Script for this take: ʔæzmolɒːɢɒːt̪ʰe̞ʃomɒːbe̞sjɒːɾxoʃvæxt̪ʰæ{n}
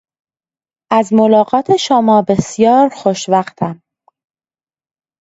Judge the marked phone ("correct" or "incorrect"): incorrect